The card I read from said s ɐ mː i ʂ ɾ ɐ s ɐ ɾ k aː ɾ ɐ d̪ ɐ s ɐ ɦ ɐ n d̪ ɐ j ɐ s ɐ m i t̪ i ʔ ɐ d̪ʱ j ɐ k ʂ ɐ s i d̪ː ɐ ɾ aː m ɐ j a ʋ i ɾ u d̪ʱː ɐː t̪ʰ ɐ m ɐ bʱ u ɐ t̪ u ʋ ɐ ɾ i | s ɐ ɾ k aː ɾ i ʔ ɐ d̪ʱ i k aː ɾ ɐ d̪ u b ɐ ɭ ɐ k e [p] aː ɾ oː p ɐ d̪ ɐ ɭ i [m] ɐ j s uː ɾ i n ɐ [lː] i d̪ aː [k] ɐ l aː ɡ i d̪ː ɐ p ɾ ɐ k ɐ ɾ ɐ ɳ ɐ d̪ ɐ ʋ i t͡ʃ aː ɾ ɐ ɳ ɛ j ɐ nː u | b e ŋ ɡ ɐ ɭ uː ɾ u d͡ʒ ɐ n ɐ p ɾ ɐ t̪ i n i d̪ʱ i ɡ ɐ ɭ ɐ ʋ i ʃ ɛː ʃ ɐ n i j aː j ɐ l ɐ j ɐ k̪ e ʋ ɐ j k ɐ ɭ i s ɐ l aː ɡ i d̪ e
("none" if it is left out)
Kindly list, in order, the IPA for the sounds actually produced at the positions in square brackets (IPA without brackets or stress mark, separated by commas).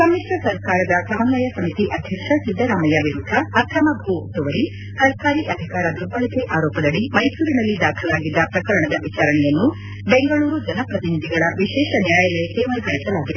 ʔ, m, lː, kʰ